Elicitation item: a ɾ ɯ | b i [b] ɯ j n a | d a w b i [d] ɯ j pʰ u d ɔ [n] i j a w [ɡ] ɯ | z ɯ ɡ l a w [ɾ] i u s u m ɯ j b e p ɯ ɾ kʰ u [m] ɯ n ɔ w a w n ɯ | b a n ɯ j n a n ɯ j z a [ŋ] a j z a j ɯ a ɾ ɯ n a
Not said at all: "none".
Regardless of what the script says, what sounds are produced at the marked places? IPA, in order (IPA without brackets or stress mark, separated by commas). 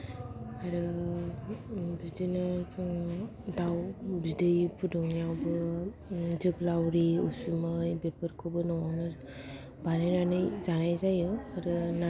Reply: d, d, ŋ, b, ɾ, b, n